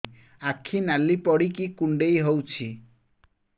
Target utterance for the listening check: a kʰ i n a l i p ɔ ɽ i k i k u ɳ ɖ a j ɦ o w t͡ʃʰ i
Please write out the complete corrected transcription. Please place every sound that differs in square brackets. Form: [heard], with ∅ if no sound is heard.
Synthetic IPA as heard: a kʰ i n a l i p ɔ ɽ i k i k u ɳ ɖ [e] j ɦ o w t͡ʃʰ i